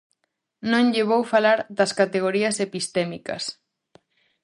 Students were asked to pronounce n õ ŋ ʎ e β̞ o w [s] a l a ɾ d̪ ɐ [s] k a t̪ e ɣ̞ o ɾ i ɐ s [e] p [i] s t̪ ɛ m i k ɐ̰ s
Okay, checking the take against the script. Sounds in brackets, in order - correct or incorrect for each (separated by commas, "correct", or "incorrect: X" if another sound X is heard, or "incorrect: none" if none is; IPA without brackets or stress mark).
incorrect: f, correct, correct, correct